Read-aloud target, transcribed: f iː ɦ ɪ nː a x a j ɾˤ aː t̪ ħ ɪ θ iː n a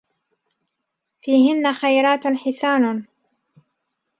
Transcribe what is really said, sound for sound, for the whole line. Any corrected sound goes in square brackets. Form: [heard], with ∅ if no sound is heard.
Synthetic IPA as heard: f iː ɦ ɪ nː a x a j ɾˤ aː t̪ ħ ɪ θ [aː] n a